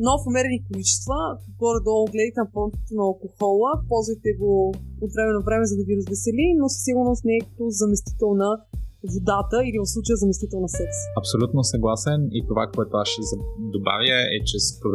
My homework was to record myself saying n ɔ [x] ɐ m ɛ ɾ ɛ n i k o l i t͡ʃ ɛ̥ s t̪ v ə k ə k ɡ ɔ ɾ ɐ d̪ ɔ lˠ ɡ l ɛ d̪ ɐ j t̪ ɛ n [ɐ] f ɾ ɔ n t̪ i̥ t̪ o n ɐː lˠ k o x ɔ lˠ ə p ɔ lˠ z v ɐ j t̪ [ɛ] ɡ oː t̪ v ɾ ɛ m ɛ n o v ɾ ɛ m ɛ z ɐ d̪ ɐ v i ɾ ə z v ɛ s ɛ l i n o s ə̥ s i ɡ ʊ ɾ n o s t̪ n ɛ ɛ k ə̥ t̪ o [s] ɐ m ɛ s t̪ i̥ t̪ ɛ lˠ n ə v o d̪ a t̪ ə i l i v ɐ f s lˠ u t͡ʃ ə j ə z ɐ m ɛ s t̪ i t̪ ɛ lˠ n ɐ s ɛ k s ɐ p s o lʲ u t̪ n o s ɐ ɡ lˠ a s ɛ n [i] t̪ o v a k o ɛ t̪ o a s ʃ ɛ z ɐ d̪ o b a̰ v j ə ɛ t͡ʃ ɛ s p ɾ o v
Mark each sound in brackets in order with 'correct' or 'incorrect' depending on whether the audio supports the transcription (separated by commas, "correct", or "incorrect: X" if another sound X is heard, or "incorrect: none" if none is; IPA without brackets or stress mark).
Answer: incorrect: f, correct, correct, incorrect: z, correct